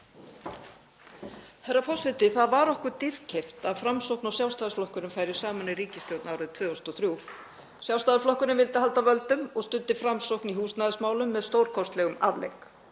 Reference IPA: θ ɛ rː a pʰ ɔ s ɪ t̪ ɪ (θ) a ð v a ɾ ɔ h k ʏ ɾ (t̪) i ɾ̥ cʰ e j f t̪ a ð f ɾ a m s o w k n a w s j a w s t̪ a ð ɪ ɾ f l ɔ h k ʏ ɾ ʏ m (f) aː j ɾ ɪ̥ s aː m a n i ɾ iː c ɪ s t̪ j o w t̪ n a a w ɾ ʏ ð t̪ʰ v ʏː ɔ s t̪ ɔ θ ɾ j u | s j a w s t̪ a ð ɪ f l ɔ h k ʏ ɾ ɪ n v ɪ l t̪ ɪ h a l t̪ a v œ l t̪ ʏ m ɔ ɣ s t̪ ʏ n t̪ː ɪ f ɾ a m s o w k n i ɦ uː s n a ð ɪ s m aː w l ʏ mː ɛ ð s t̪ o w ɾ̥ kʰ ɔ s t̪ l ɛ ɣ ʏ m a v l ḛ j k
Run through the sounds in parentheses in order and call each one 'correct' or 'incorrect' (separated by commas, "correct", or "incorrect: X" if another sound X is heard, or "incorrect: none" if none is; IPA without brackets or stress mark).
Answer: correct, correct, correct